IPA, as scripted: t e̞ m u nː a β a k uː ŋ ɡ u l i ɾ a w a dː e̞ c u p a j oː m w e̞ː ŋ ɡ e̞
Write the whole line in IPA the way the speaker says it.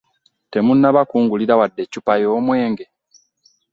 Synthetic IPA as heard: t e̞ m u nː a β a k uː ŋ ɡ u l i ɾ a w a dː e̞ c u p a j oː m w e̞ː ŋ ɡ e̞